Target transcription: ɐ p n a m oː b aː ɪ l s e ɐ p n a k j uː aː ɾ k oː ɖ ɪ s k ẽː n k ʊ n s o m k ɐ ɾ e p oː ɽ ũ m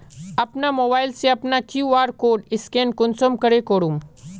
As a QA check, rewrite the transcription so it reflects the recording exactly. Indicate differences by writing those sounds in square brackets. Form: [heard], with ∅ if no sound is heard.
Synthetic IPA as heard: ɐ p n a m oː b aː ɪ l s e ɐ p n a k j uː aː ɾ k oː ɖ ɪ s k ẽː n k ʊ n s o m k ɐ ɾ e [k] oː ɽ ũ m